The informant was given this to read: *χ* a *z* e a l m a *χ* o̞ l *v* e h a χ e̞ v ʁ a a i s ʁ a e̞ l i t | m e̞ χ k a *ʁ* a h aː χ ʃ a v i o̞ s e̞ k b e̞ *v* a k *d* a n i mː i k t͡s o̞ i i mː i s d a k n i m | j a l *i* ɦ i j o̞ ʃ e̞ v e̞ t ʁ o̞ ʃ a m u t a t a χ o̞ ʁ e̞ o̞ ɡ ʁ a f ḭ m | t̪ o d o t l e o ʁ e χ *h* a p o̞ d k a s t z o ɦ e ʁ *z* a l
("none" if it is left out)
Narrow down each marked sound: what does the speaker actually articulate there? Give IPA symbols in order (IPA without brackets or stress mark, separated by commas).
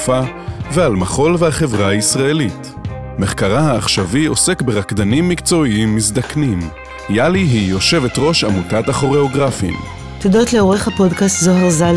f, v, χ, v, ʁ, ʁ, d, i, h, z